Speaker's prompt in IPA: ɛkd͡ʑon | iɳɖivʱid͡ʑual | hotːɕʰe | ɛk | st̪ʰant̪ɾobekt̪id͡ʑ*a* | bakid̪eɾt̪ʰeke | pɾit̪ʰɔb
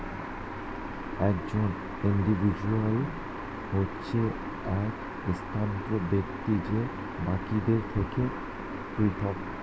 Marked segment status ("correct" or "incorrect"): incorrect